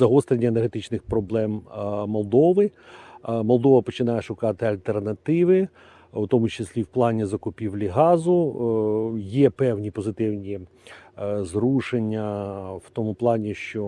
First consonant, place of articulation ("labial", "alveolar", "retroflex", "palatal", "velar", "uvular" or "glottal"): alveolar